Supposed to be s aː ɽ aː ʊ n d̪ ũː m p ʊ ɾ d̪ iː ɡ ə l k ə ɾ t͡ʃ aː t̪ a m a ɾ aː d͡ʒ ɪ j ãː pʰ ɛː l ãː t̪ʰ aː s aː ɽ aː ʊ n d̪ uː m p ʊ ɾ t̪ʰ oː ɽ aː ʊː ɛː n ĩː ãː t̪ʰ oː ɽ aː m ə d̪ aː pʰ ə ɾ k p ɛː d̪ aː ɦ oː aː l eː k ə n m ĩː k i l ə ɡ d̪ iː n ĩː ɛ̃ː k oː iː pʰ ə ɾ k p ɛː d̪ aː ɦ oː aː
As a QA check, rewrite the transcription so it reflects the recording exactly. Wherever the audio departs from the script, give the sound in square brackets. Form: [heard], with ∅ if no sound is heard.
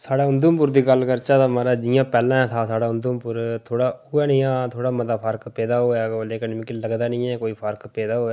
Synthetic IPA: s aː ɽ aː ʊ n d̪ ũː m p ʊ ɾ d̪ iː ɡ ə l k ə ɾ t͡ʃ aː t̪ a m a ɾ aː d͡ʒ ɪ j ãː [p] ɛː l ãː t̪ʰ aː s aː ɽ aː ʊ n d̪ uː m p ʊ ɾ t̪ʰ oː ɽ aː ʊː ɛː n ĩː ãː t̪ʰ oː ɽ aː m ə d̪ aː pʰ ə ɾ k p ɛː d̪ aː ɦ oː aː l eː k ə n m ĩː k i l ə ɡ d̪ [aː] n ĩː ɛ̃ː k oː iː pʰ ə ɾ k p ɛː d̪ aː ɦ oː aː